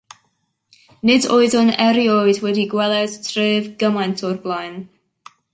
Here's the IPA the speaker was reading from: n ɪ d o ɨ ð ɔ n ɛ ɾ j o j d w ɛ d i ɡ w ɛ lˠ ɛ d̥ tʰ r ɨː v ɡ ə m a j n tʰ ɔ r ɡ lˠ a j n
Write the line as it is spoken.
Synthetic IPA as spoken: n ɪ d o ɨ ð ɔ n ɛ ɾ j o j d w ɛ d i ɡ w ɛ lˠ ɛ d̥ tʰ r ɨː v ɡ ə m a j n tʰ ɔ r b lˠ a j n